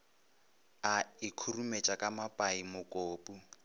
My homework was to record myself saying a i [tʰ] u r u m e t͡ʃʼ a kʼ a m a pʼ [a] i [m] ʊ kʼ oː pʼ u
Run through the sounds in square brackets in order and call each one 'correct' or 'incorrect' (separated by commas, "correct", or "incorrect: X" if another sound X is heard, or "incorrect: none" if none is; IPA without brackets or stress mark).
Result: incorrect: kʰ, correct, correct